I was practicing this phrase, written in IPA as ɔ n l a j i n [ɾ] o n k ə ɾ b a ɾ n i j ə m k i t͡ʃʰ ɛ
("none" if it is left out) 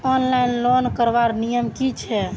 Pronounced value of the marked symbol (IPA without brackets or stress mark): l